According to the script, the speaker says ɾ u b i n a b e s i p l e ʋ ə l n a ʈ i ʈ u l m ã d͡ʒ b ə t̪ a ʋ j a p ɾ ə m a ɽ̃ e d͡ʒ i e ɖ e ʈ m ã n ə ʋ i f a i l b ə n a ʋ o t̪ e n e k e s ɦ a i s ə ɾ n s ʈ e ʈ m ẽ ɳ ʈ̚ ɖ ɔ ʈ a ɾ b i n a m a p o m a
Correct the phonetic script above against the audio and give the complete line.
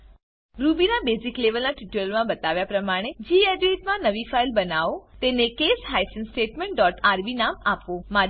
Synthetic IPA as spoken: ɾ u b i n a b e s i k l e ʋ ə l n a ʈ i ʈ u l m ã b ə t̪ a ʋ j a p ɾ ə m a ɽ̃ e d͡ʒ i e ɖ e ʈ m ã n ə ʋ i f a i l b ə n a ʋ o t̪ e n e k e s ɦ a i s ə n s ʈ e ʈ m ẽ ɳ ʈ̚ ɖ ɔ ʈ a ɾ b i n a m a p o m a